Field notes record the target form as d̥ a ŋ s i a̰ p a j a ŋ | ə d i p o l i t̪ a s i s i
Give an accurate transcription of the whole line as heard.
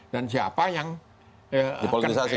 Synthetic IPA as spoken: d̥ a n s i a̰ p a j a ŋ | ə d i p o l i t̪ i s a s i